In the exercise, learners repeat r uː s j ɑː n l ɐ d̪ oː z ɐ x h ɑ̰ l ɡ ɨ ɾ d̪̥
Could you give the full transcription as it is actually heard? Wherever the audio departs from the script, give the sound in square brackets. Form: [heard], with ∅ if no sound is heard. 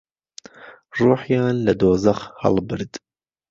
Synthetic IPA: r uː [ħ] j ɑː n l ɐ d̪ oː z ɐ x h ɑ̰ l [b] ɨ ɾ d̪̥

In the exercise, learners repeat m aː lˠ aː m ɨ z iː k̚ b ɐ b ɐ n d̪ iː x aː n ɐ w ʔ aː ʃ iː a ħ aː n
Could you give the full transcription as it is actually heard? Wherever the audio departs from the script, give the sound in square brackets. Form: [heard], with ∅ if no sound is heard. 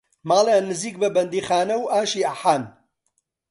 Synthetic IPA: m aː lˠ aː [n] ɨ z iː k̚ b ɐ b ɐ n d̪ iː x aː n ɐ w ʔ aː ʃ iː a ħ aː n

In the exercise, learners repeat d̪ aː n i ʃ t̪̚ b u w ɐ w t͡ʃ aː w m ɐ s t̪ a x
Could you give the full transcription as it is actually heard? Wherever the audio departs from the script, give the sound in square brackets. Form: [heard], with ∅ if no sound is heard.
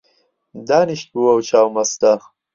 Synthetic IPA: d̪ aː n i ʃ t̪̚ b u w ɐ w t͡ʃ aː w m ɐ s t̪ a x

